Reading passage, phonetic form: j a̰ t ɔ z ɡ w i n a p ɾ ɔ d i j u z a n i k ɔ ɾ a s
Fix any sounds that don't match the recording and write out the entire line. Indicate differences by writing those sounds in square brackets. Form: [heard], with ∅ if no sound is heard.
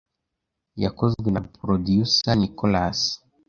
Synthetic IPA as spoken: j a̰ [k] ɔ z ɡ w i n a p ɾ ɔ d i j u [s] a n i k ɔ [l] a s